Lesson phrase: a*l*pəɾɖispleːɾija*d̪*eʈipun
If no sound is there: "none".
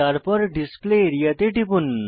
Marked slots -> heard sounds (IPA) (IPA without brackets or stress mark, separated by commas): ɾ, t̪